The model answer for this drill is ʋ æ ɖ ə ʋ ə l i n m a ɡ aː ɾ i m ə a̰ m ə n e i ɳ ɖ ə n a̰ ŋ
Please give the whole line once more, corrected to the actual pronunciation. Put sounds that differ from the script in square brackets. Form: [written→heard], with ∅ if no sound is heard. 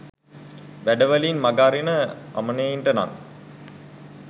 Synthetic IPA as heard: ʋ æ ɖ ə ʋ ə l i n m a ɡ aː ɾ i [m→n] ə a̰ m ə n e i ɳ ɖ ə n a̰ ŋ

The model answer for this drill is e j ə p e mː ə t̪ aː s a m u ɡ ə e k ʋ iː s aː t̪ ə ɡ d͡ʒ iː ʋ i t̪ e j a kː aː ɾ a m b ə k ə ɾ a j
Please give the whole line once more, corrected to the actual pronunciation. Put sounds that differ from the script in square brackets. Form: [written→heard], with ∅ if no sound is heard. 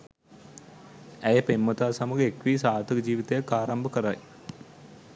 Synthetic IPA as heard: [e→æ] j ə p e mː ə t̪ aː s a m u ɡ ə e k ʋ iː s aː t̪ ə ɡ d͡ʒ iː ʋ i t̪ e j a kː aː ɾ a m b ə k ə ɾ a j

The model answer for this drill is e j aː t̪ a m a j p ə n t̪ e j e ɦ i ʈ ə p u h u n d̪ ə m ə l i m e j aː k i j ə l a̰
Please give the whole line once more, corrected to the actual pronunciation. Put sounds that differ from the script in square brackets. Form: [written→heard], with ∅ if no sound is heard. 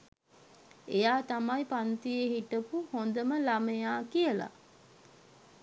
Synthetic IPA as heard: e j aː t̪ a m a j p [ə→a] n t̪ [e→i] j e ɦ i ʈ ə p u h [u→o] n d̪ ə m ə l [i→a] m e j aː k i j ə l a̰

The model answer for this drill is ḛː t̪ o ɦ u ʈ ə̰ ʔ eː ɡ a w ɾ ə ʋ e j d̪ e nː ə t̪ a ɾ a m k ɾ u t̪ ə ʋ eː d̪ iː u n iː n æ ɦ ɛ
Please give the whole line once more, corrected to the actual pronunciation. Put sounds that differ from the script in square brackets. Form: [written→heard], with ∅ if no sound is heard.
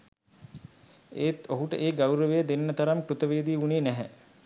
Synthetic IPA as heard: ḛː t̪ o ɦ u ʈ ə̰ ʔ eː ɡ a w ɾ ə ʋ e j d̪ e nː ə t̪ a ɾ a m k ɾ u t̪ ə ʋ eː d̪ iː u n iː n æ ɦ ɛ

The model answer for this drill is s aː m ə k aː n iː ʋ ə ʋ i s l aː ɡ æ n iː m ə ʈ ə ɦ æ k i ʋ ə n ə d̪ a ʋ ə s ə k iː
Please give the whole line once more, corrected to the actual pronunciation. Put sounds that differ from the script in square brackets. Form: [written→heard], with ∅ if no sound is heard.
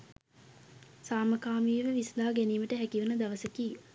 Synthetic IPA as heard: s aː m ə k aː [n→m] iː ʋ ə ʋ i s l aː ɡ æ n iː m ə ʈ ə ɦ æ k i ʋ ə n ə d̪ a ʋ ə s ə k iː

